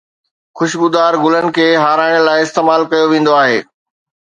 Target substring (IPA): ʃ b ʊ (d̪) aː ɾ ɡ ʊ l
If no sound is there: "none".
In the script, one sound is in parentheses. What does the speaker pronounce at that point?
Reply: d̪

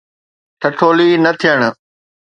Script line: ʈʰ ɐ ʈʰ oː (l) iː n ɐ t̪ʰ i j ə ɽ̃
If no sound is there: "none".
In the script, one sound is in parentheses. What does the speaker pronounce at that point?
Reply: l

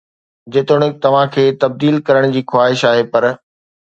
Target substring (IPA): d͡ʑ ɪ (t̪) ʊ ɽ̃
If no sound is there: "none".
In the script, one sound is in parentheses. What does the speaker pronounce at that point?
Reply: t̪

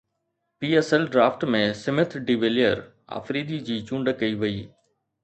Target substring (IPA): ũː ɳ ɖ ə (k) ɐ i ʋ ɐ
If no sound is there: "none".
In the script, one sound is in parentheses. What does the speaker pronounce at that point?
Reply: k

